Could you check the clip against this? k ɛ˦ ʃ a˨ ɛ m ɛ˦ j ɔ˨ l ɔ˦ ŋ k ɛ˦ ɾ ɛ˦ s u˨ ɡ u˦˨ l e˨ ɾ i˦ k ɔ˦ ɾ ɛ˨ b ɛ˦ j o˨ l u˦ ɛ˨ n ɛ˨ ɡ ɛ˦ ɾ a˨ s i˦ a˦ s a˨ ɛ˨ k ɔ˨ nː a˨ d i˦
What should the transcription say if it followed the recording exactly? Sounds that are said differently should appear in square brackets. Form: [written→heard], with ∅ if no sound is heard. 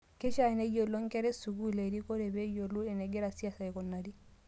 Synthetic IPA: k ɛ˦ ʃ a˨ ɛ [m→n] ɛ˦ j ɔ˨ l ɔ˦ ŋ k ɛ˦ ɾ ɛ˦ s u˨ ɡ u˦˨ l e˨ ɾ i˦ k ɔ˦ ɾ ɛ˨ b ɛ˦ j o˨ l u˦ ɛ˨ n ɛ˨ ɡ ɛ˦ ɾ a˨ s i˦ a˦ s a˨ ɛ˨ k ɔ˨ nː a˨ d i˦